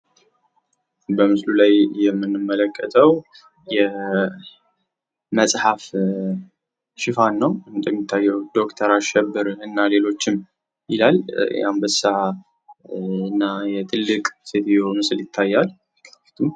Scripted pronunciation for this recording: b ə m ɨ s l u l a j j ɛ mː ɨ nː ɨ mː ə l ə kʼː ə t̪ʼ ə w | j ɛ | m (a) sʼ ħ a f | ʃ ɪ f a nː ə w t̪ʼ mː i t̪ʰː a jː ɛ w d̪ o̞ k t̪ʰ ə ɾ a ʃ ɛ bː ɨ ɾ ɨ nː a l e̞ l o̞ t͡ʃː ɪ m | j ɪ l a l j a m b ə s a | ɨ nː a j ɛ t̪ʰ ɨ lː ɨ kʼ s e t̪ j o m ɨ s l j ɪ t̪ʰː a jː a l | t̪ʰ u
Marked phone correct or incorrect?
incorrect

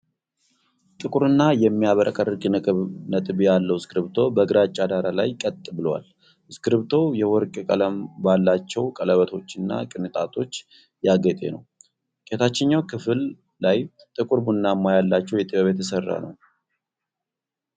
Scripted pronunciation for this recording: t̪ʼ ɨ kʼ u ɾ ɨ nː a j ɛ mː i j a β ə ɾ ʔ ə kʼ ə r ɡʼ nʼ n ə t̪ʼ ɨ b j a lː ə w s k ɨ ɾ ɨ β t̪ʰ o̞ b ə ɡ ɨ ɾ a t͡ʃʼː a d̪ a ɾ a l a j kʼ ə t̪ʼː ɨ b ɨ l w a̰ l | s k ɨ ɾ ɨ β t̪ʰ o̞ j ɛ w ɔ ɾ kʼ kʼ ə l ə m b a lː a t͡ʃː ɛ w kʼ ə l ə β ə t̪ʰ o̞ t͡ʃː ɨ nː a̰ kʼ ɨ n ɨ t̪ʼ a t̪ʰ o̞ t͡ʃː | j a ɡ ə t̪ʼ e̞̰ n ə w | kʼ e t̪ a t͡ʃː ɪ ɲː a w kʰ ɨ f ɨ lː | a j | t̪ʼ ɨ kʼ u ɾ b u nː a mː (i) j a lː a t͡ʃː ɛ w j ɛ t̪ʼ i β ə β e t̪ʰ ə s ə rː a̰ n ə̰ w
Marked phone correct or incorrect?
incorrect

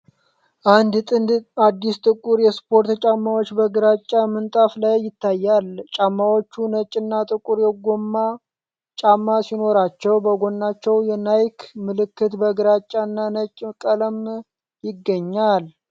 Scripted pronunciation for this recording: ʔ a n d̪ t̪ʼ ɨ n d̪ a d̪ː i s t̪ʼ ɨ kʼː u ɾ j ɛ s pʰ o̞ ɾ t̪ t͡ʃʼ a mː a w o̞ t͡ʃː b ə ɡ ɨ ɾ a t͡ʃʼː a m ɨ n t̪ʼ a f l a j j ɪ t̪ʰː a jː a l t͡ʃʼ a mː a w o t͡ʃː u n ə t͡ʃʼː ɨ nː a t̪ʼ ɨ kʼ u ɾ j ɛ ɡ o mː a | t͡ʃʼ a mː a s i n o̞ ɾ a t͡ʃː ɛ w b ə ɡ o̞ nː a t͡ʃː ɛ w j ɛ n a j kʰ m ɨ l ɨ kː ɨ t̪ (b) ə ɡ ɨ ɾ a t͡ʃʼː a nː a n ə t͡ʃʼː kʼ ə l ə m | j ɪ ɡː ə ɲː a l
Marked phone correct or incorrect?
correct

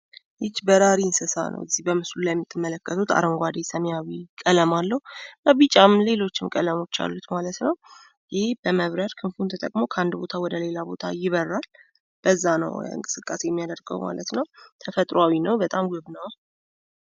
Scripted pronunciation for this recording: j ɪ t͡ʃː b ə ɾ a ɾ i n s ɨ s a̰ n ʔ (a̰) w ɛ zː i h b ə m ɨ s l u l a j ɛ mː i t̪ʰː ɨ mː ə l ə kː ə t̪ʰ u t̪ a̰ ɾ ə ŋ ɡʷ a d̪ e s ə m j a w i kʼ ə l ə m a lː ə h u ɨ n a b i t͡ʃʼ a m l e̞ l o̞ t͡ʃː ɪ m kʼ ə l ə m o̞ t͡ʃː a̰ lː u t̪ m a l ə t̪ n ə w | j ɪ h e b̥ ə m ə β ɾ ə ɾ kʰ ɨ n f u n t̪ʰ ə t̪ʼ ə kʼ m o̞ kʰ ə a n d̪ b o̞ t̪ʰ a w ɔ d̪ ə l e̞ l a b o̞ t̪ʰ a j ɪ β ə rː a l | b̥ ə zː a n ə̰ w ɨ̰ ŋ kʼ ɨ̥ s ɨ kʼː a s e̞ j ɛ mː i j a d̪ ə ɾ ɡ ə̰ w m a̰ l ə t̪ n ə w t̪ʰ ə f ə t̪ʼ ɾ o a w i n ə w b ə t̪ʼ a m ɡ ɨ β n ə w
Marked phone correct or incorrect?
incorrect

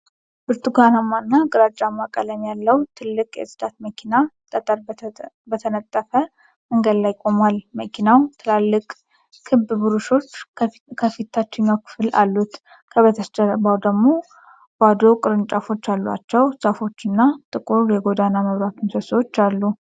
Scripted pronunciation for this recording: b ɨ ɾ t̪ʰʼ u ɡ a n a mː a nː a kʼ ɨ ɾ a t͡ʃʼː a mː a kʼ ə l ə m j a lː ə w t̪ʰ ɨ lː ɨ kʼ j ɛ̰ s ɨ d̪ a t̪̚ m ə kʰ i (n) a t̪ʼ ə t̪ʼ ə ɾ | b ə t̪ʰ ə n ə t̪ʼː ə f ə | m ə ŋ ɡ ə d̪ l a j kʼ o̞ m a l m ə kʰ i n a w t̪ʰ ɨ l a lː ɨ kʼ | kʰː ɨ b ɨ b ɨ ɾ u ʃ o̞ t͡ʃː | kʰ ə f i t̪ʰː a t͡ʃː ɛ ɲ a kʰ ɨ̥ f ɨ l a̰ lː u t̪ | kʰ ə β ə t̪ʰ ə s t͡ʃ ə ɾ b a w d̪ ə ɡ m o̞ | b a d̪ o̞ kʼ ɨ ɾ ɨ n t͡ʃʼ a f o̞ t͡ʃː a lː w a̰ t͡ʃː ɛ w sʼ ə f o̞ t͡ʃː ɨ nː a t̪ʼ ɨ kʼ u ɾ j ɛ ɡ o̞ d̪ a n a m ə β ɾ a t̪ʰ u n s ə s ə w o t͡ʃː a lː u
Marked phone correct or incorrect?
correct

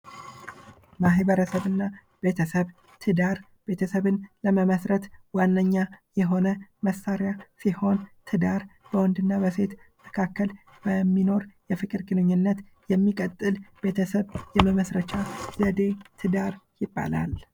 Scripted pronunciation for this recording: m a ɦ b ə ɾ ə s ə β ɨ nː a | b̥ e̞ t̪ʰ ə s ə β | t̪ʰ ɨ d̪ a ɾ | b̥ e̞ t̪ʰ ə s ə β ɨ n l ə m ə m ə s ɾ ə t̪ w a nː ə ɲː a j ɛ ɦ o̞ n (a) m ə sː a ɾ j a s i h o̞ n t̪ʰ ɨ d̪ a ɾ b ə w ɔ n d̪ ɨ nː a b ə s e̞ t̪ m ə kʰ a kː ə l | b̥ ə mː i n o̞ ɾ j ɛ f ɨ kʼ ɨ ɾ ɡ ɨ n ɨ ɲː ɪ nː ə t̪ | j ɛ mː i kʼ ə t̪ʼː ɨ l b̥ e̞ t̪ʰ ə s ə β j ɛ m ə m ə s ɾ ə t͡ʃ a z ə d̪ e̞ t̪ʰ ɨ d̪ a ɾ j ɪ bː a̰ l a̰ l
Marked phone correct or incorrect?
incorrect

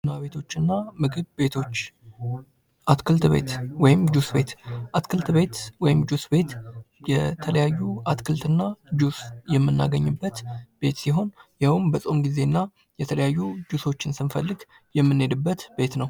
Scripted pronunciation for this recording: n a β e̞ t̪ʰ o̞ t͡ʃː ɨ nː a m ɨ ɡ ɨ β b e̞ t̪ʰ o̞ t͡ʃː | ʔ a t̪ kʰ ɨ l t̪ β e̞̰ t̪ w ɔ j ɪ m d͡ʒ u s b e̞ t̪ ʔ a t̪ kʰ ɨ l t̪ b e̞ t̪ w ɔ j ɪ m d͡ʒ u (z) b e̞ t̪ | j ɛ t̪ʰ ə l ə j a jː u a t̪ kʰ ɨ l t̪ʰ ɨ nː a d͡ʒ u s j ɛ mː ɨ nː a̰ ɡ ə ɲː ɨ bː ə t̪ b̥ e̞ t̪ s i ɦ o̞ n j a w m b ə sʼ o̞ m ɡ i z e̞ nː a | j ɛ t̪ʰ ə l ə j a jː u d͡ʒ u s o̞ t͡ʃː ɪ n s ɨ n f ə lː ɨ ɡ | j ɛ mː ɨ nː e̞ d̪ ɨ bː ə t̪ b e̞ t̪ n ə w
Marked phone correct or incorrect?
incorrect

